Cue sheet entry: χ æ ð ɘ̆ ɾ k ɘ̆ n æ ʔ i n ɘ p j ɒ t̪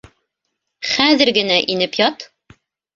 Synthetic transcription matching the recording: χ æ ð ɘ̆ ɾ ɡ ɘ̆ n æ ʔ i n ɘ p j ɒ t̪